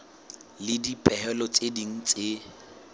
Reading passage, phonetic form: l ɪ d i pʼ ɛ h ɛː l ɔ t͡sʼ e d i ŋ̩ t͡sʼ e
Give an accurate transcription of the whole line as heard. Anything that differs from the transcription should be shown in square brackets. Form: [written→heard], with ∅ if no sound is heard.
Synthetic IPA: l ɪ d i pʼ ɛ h [ɛː→ɛ] l ɔ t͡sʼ e d i ŋ̩ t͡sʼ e

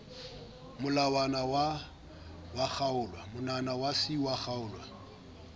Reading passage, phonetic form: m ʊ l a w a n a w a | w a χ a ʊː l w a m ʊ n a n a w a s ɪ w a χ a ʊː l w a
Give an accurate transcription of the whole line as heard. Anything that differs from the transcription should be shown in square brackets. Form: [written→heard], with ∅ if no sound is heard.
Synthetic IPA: m ʊ l a w a n a w a | w a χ a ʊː l w a m ʊ n a n a w a s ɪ w a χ a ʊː l w a

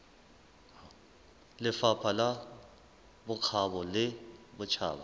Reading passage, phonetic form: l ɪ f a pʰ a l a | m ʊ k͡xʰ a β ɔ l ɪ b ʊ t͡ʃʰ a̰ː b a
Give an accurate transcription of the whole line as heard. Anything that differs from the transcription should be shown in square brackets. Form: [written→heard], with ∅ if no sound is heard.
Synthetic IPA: l ɪ f a pʰ a l a | [m→b] ʊ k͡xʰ a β ɔ l ɪ b ʊ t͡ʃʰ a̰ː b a

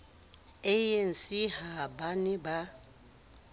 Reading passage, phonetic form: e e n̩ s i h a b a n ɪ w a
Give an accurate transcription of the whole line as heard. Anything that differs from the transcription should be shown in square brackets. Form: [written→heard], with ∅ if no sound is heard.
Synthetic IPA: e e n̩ s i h a b a n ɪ [w→b] a

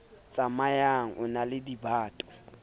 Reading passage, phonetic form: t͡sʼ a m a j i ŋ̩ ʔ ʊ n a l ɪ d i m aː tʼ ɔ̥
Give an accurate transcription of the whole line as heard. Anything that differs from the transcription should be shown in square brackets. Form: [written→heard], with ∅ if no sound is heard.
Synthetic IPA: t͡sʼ a m a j [i→a] ŋ̩ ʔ ʊ n a l ɪ d i [m→b] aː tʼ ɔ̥

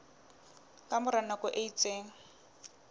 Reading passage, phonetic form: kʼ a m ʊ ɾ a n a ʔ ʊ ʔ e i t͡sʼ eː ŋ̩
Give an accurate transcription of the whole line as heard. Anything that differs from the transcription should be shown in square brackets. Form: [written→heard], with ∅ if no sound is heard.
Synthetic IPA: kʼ a m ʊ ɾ a n a [ʔ→k] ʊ ʔ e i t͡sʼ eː ŋ̩

